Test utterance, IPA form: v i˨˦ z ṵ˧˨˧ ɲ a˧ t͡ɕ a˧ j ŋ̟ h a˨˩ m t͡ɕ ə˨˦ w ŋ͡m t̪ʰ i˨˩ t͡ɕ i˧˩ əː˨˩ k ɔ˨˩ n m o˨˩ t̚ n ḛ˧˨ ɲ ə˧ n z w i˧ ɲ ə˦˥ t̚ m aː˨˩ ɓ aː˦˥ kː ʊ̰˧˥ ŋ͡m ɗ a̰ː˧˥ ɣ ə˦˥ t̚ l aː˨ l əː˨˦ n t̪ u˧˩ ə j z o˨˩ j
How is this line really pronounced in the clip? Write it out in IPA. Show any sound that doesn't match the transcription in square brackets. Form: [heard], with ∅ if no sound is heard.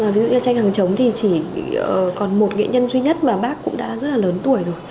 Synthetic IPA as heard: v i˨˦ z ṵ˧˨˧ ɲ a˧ t͡ɕ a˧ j ŋ̟ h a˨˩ [ŋ] t͡ɕ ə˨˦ w ŋ͡m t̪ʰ i˨˩ t͡ɕ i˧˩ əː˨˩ k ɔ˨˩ n m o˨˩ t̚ [ŋ] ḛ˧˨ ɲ ə˧ n z w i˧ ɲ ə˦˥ t̚ m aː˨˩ ɓ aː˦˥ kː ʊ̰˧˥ ŋ͡m ɗ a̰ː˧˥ [z] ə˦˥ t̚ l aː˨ l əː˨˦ n t̪ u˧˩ ə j z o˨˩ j